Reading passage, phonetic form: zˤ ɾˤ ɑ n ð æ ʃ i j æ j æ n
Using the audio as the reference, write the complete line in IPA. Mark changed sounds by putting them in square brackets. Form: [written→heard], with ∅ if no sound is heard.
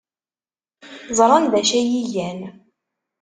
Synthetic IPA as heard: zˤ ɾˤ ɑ n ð æ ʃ [i→æ] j [æ→i] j æ n